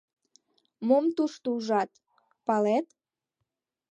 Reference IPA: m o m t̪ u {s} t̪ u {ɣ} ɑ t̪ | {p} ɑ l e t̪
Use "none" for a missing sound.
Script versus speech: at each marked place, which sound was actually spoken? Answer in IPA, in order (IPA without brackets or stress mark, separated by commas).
ʃ, ʒ, p